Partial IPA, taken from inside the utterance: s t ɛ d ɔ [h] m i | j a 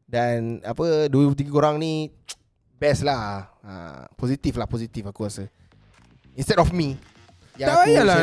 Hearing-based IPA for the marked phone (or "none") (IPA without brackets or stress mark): f